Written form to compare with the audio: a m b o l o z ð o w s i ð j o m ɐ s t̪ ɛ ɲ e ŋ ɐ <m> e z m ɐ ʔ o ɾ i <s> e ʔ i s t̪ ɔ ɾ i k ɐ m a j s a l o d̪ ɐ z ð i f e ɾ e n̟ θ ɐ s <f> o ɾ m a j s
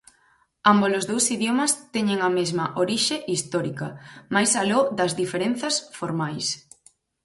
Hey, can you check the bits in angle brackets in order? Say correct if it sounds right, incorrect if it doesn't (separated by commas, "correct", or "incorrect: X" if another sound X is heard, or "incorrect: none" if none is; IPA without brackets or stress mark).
correct, incorrect: ʃ, correct